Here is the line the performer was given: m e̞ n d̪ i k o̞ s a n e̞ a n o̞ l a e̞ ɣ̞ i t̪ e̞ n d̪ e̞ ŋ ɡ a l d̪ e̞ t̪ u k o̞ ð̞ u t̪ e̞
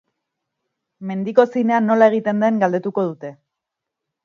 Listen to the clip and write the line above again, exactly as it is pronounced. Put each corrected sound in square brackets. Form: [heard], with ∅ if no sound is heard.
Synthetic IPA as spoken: m e̞ n d̪ i k o̞ s [i] n e̞ a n o̞ l a e̞ ɣ̞ i t̪ e̞ n d̪ e̞ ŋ ɡ a l d̪ e̞ t̪ u k o̞ ð̞ u t̪ e̞